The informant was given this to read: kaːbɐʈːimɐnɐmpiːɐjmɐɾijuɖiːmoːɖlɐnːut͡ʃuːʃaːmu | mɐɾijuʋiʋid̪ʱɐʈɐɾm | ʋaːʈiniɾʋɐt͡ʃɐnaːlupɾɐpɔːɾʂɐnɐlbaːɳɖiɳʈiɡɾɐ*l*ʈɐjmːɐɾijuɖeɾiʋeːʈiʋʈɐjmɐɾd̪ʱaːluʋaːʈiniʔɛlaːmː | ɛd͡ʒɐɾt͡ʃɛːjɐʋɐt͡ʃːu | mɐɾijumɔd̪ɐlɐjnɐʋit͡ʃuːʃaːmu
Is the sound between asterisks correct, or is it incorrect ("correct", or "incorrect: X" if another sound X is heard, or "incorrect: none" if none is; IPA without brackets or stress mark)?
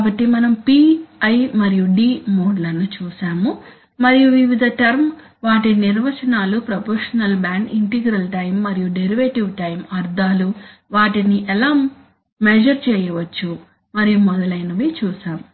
correct